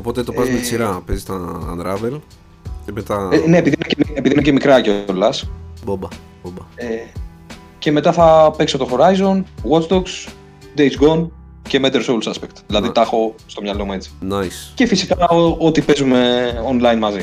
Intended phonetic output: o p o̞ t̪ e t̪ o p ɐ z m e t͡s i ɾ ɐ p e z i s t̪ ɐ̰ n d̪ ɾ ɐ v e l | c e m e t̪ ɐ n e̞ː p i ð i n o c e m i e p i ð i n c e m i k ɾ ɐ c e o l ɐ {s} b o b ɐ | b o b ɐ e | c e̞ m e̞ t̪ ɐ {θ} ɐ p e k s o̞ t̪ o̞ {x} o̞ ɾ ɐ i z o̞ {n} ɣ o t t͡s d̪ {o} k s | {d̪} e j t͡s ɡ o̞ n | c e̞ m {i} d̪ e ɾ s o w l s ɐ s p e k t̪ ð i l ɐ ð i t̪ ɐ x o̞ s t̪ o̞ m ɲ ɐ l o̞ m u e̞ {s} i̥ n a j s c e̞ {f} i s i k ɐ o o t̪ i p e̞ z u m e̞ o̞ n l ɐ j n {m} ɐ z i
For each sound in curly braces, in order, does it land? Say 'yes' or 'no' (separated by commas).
yes, yes, yes, yes, yes, yes, no, no, yes, yes